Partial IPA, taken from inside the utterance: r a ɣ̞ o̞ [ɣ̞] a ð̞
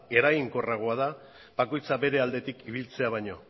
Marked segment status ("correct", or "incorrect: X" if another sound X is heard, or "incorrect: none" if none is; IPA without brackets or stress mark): incorrect: none